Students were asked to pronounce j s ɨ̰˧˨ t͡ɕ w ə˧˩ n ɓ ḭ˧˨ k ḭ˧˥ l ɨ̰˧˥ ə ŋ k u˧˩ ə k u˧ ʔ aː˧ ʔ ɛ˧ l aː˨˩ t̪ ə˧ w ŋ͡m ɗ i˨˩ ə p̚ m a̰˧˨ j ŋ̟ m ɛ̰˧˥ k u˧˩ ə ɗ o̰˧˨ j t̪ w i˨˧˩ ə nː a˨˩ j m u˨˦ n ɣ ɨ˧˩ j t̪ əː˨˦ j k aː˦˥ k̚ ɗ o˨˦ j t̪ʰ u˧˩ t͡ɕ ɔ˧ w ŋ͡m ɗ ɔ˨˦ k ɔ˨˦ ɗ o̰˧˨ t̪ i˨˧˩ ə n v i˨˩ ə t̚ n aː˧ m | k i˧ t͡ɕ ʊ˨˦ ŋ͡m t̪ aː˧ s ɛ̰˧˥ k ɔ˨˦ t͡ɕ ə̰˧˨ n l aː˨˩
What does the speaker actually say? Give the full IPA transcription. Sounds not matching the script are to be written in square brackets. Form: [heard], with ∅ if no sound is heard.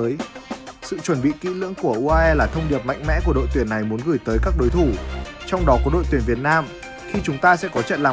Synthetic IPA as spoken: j s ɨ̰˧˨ t͡ɕ w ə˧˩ n ɓ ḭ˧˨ k ḭ˧˥ l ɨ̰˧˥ ə ŋ k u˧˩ ə [ʔ] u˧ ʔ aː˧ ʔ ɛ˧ l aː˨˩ [t̪ʰ] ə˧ w ŋ͡m ɗ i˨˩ ə p̚ m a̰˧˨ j ŋ̟ m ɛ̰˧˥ k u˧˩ ə ɗ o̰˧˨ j t̪ w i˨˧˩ ə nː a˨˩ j m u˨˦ n ɣ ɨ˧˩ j t̪ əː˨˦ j k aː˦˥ k̚ ɗ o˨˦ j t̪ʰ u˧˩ t͡ɕ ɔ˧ w ŋ͡m ɗ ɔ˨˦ k ɔ˨˦ ɗ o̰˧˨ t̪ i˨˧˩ ə n v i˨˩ ə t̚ n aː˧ m | [x] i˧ t͡ɕ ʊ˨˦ ŋ͡m t̪ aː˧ s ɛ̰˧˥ k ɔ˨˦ t͡ɕ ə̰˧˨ n l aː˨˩